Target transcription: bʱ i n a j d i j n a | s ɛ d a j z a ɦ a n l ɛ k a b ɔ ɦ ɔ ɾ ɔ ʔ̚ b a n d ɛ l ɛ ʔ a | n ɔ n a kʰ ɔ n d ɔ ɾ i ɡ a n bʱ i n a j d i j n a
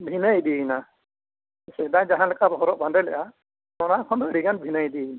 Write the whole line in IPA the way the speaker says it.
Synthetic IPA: bʱ i n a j d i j n a | s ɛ d a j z a ɦ a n l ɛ k a b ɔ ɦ ɔ ɾ ɔ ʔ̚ b a n d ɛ l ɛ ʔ a | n ɔ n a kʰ ɔ n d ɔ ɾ i ɡ a n bʱ i n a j d i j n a